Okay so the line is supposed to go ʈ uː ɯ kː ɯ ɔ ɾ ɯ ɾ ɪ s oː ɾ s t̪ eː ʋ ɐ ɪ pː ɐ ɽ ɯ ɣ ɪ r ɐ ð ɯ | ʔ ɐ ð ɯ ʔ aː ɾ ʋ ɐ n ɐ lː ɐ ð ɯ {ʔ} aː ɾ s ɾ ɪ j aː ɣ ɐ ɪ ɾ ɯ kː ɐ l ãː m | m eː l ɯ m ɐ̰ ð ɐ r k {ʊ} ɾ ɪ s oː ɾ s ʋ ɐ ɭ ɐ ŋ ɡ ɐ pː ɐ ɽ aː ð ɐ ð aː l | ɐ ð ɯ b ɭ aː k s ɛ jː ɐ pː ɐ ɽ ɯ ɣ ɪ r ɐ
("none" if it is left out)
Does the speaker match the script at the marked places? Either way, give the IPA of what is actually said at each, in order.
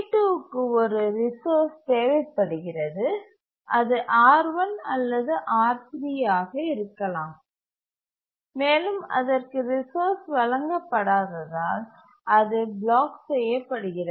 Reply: ʔ, ɯ

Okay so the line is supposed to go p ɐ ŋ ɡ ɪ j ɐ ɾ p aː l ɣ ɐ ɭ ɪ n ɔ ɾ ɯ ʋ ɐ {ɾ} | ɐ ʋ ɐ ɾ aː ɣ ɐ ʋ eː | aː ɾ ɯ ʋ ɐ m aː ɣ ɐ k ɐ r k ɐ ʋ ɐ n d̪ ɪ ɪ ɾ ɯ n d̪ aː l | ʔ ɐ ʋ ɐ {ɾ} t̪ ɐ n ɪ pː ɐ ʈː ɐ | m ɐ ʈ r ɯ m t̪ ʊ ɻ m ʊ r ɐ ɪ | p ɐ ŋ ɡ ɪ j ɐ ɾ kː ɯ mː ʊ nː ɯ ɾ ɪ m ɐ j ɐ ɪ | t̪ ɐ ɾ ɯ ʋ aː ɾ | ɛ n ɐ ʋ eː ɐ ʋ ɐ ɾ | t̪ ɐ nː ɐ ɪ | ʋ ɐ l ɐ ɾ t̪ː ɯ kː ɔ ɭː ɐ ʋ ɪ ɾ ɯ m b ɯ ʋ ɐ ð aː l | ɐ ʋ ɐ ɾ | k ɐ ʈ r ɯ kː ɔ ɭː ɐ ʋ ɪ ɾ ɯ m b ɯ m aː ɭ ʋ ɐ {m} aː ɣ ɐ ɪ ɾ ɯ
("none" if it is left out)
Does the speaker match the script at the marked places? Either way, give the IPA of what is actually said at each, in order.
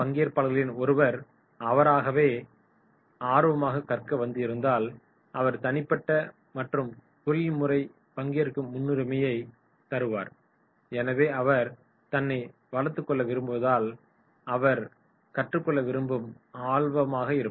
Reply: ɾ, ɾ, m

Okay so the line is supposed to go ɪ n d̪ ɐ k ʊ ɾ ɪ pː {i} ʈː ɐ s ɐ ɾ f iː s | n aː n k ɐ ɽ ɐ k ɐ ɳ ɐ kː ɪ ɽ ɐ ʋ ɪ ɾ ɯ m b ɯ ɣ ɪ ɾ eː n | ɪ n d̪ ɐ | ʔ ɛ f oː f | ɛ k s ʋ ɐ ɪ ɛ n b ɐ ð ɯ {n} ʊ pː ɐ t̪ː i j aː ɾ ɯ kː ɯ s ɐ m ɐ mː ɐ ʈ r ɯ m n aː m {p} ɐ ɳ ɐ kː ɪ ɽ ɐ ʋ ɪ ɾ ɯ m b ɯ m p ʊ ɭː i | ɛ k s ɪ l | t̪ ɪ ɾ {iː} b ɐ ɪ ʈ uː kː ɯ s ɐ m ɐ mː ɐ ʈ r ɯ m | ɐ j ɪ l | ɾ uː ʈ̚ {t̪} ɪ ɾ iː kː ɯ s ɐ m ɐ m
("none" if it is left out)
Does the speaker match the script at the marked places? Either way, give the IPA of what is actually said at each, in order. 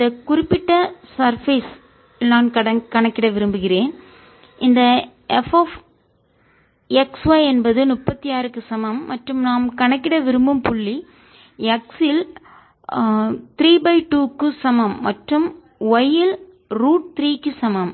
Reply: ɪ, n, k, iː, t̪

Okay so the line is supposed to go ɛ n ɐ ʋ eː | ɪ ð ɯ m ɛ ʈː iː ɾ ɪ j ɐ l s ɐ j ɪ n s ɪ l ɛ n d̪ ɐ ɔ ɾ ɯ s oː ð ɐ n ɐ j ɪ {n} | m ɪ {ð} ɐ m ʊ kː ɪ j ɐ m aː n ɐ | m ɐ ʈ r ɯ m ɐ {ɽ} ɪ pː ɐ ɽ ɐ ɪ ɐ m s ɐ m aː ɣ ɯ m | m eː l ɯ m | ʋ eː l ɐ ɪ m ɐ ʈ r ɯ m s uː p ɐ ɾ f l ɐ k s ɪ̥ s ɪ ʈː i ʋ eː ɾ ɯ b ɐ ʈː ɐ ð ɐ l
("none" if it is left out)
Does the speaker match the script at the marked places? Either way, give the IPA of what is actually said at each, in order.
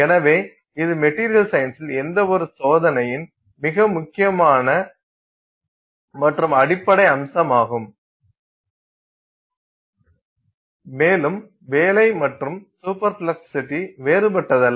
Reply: n, ɣ, ɽ

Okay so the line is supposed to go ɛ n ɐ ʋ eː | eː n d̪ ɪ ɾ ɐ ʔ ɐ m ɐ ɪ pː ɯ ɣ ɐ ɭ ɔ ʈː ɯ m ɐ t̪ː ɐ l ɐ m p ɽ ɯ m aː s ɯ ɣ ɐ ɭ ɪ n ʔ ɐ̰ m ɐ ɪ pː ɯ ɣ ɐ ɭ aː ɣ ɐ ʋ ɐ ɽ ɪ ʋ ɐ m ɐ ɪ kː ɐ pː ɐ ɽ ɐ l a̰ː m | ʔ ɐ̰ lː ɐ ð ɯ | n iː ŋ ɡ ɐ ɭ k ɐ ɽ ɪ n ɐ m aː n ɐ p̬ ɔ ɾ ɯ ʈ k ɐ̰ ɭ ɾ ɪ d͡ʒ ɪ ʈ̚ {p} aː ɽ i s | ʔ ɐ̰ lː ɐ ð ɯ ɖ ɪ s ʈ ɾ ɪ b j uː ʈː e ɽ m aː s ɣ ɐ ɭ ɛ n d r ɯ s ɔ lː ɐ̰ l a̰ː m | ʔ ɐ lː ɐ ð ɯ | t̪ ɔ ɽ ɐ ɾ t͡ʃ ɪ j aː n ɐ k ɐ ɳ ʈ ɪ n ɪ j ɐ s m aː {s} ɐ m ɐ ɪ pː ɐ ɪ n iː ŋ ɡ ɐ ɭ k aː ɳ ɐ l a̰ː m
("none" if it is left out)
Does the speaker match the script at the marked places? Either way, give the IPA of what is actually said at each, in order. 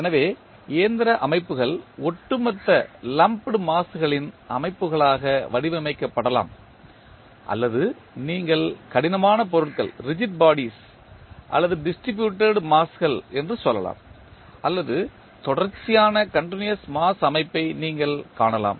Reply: b, s

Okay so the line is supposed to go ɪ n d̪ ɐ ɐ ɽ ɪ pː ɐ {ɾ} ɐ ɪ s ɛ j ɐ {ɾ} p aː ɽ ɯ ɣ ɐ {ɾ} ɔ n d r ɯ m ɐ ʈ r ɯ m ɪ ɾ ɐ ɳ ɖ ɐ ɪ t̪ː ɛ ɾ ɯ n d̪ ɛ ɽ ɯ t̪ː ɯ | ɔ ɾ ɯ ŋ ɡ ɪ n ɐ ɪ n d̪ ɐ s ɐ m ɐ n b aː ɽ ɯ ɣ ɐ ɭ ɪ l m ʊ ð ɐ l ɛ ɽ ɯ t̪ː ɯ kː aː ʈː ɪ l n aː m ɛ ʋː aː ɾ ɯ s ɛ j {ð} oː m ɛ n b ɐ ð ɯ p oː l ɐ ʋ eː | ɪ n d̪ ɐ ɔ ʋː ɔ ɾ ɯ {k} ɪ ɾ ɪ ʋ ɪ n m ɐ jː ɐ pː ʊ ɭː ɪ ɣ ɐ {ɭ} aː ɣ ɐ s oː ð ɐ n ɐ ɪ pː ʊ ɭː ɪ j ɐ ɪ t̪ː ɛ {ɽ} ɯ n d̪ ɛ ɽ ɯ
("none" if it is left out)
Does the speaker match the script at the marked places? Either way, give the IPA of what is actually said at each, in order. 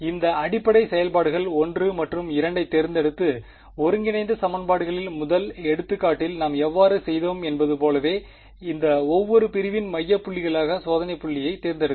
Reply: ɽ, l, ɭ, ð, p, ɭ, ɾ

